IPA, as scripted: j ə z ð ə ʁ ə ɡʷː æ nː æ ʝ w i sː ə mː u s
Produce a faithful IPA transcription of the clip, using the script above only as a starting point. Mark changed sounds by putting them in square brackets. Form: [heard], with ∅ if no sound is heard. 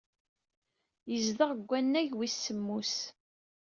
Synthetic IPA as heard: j ə z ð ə ʁ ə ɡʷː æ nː æ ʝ w i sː ə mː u s